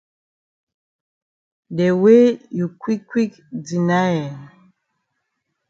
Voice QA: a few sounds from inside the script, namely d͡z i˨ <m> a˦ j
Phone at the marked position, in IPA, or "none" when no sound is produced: n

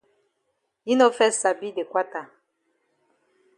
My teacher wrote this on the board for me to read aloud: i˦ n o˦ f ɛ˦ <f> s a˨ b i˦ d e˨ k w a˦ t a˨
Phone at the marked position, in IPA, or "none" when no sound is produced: none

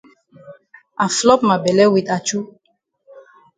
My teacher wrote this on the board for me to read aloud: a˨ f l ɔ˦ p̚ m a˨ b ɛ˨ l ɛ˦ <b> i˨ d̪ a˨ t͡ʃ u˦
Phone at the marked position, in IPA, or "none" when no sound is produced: w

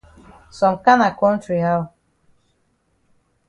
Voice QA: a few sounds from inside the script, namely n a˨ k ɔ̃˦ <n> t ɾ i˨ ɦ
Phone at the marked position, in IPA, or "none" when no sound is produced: n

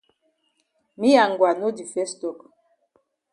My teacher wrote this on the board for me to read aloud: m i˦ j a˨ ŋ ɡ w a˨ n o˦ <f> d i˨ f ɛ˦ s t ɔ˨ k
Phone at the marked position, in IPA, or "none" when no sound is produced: none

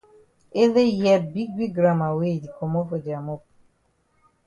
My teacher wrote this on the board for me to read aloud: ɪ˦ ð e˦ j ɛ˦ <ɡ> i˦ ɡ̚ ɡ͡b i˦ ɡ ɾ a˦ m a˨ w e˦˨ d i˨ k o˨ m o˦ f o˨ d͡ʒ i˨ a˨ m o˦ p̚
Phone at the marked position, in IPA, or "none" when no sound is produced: b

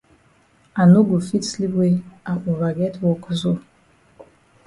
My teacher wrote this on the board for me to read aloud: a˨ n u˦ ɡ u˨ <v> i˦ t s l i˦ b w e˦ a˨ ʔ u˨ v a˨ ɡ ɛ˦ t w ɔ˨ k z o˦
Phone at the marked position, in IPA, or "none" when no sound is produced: f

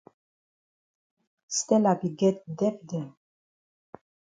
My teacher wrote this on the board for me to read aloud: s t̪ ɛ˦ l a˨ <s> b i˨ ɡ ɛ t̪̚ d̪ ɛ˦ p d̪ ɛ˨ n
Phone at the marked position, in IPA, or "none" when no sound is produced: none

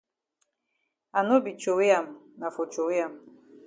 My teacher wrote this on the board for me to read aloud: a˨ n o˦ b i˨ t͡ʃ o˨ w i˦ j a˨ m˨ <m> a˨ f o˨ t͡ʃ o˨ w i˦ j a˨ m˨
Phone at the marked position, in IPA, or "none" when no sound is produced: n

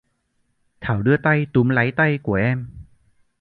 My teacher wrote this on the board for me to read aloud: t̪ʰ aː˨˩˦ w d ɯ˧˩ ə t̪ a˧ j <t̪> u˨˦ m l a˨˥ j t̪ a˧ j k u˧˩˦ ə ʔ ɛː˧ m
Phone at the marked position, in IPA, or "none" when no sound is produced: t̪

